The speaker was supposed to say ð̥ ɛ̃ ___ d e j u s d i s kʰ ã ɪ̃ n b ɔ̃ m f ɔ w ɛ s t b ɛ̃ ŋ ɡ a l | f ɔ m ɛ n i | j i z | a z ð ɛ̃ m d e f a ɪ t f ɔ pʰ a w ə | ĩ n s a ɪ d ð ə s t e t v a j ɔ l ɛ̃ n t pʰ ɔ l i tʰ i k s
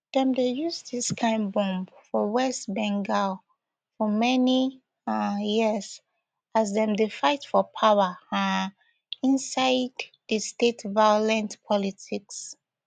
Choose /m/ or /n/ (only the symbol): m